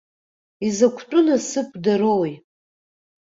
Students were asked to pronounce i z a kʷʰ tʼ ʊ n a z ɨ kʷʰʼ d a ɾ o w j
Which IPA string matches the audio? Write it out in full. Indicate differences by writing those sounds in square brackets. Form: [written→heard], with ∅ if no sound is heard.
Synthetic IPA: i z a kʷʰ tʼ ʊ n a [z→s] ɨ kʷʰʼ d a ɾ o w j